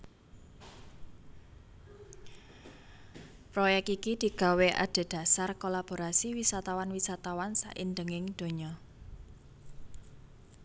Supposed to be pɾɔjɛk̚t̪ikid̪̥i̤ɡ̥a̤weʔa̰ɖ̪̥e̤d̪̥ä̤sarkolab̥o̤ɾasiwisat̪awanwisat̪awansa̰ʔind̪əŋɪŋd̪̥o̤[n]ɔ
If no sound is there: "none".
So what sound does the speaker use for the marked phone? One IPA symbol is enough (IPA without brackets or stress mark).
ɲ